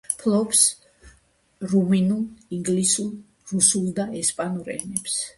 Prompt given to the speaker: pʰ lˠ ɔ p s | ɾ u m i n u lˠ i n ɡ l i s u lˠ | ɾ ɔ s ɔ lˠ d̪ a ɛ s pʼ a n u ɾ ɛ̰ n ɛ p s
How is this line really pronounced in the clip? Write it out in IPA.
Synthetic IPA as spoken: pʰ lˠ ɔ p s | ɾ u m i n u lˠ i ŋ ɡ l i s u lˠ | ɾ u s u lˠ d̪ a ɛ s pʼ a n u ɾ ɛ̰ n ɛ p s